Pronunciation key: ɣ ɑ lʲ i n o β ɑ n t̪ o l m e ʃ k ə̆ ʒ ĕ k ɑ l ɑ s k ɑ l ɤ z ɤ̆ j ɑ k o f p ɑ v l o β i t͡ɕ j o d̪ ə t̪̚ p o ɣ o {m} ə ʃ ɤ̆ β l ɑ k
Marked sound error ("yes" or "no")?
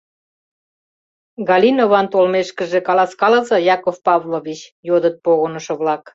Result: yes